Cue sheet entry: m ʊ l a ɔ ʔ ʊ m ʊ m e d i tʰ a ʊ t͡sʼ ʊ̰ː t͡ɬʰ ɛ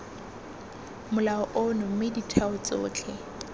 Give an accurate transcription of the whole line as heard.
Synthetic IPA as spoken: m ʊ l a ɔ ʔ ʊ n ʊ m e d i tʰ a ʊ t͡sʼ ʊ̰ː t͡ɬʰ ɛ